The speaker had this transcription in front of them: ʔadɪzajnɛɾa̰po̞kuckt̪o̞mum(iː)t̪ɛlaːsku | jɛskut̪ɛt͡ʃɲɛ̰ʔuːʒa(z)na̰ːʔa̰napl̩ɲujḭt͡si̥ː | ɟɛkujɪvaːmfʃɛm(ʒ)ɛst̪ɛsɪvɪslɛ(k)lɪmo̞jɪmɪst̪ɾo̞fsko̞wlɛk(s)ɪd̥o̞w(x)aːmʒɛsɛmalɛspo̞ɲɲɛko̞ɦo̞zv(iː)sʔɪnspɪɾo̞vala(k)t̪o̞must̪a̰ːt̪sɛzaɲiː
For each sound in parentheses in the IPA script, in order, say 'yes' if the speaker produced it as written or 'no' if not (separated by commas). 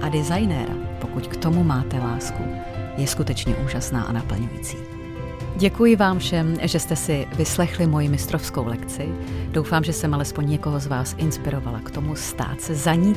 no, no, yes, no, no, no, no, yes